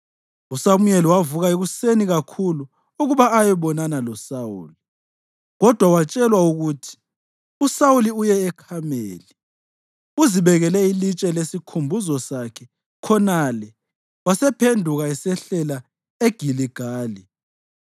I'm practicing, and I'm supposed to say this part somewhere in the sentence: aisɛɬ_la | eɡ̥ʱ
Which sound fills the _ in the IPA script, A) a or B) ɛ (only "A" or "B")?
B